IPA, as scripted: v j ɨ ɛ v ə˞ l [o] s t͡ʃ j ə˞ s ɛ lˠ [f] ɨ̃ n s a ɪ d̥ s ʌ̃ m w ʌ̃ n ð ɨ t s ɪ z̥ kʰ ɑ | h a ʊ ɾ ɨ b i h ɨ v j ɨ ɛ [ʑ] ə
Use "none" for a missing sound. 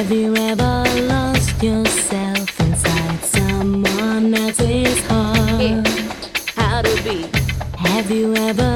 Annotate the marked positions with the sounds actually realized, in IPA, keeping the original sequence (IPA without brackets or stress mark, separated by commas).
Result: ɔ, f, v